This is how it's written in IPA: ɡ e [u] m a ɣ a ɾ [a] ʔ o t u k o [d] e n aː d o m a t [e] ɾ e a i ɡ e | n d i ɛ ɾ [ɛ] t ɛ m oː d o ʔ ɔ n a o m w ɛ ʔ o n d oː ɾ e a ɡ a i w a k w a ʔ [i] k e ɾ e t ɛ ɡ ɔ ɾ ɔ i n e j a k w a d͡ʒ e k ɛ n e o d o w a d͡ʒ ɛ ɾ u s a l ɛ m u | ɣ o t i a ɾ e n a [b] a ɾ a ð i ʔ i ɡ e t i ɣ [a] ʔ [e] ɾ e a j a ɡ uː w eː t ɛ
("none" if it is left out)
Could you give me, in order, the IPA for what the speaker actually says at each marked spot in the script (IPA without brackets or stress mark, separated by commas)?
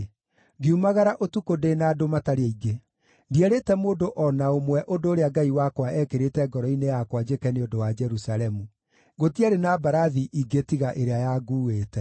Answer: u, a, d, a, e, ɛ, b, a, e